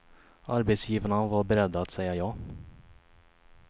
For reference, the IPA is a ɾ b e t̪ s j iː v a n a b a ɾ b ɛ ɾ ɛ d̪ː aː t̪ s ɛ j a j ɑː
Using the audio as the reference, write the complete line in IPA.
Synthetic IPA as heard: a ɾ b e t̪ s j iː v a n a v a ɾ b ɛ ɾ ɛ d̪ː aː t̪ s ɛ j a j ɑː